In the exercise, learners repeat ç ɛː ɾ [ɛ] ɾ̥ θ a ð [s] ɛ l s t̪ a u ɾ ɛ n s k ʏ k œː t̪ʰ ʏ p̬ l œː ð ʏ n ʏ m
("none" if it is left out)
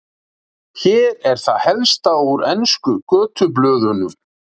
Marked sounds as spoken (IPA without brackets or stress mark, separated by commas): ɛ, h